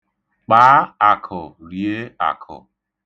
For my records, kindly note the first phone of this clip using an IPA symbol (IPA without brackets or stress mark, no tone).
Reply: k͡p